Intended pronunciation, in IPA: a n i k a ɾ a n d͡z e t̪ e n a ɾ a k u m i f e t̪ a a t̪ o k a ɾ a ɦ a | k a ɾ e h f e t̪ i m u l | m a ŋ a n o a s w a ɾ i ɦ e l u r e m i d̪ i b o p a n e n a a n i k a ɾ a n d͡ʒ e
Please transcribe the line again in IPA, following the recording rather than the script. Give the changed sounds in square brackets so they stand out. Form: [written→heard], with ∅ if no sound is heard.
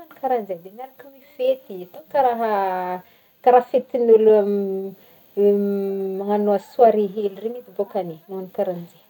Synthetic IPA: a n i k a ɾ a n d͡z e [t̪→d̪] e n a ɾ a k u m i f e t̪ [a→i] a t̪ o k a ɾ a ɦ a | k a ɾ [e→a] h f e t̪ i [m→n] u l | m a ŋ a n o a s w a ɾ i ɦ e l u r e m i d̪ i b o [p→k] a n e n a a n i k a ɾ a n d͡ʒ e